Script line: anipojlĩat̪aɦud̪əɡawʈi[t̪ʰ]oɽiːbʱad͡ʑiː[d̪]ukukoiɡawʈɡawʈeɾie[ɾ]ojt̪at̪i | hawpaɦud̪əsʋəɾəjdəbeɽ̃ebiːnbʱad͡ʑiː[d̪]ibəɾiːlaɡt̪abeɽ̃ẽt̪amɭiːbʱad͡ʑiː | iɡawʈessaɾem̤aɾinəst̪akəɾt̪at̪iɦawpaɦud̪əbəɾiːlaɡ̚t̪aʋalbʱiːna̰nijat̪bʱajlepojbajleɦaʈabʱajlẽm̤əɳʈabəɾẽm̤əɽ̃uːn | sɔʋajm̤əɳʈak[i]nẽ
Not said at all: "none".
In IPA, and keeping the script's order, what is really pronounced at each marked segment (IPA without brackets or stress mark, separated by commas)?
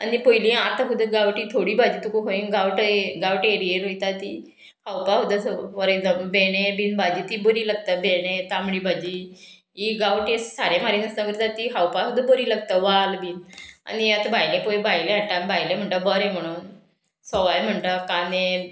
t̪ʰ, t̪, ɾ, t̪, a